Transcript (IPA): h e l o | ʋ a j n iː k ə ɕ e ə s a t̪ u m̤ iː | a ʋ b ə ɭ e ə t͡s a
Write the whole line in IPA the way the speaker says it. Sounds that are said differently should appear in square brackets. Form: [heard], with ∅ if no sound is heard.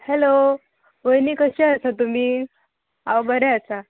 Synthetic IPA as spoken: h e l o | ʋ [ə] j n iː k ə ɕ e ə s a t̪ u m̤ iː | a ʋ b ə [ɾ] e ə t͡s a